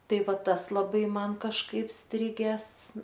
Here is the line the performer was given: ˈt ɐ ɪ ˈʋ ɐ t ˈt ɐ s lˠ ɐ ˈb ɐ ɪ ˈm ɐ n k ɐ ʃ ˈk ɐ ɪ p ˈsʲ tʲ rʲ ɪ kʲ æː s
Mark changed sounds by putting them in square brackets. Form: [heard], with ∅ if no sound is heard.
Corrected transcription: ˈt ɐ ɪ ˈʋ ɐ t ˈt ɐ s lˠ ɐ ˈb ɐ ɪ ˈm ɐ n k ɐ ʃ ˈk ɐ ɪ p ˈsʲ tʲ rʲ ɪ [ɡʲ] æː s

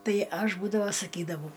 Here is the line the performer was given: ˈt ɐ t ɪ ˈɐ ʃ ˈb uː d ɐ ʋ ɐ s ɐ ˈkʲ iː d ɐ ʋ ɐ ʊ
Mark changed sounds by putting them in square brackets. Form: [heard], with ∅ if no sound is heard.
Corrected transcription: ˈt ɐ [∅] ɪ ˈɐ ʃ ˈb uː d ɐ ʋ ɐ s ɐ ˈkʲ iː d ɐ ʋ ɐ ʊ

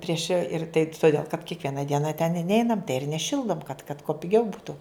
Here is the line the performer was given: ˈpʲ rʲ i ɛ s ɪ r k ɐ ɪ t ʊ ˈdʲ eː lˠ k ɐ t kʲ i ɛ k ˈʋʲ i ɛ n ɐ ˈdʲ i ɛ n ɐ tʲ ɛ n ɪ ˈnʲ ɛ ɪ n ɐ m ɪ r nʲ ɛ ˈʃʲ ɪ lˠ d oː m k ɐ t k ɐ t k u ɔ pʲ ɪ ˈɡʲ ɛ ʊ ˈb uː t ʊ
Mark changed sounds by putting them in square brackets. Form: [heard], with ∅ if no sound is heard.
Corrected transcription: ˈpʲ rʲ i ɛ [ʃ] ɪ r [t] ɐ ɪ t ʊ ˈdʲ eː lˠ k ɐ t kʲ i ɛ k ˈʋʲ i ɛ n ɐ ˈdʲ i ɛ n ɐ tʲ ɛ n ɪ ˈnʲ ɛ ɪ n ɐ m ɪ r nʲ ɛ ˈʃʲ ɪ lˠ d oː m k ɐ t k ɐ t k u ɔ pʲ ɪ ˈɡʲ ɛ ʊ ˈb uː t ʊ

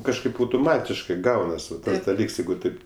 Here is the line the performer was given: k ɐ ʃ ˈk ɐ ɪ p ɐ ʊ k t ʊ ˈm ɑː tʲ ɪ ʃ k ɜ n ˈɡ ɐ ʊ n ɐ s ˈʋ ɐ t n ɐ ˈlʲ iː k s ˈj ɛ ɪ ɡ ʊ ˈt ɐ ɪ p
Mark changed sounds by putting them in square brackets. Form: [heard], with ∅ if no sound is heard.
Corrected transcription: k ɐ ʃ ˈk ɐ ɪ p ɐ ʊ [∅] t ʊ ˈm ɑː tʲ ɪ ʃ k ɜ [∅] ˈɡ ɐ ʊ n ɐ s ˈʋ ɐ t [d] ɐ ˈlʲ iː k s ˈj ɛ ɪ ɡ ʊ ˈt ɐ ɪ p

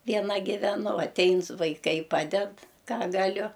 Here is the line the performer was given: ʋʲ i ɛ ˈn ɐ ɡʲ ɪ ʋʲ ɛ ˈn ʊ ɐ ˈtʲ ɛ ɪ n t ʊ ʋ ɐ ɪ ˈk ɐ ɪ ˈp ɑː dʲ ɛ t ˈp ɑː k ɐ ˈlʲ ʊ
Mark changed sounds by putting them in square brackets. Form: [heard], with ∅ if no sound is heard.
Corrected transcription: ʋʲ i ɛ ˈn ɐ ɡʲ ɪ ʋʲ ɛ ˈn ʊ ɐ ˈtʲ ɛ ɪ n [s] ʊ ʋ ɐ ɪ ˈk ɐ ɪ ˈp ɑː dʲ ɛ t [ˈk] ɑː [ɡ] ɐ ˈlʲ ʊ

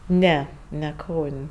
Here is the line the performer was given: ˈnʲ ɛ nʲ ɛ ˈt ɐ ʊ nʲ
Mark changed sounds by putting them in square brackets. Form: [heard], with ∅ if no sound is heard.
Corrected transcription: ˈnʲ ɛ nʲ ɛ [ˈk] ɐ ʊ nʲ

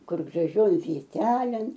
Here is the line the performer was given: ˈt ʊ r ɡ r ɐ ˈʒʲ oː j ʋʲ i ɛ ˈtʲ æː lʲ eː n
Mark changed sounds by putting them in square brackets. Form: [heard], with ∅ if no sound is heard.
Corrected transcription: [ˈk] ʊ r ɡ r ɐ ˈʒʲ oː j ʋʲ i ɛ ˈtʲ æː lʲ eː n

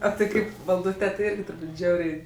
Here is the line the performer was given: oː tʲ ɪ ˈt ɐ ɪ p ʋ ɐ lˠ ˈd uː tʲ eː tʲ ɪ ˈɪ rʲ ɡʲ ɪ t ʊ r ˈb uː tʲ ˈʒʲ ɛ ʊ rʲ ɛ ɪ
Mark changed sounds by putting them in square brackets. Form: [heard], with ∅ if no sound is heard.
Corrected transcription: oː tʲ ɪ [ˈk] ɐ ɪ p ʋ ɐ lˠ ˈd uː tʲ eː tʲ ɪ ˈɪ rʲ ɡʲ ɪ t ʊ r ˈb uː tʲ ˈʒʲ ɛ ʊ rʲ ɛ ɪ

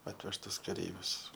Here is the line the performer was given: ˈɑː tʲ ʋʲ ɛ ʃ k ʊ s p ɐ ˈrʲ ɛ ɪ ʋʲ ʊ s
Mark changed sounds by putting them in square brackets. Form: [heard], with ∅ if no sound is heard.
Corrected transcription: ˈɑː tʲ ʋʲ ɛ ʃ [t] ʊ s [k] ɐ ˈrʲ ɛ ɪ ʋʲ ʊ s

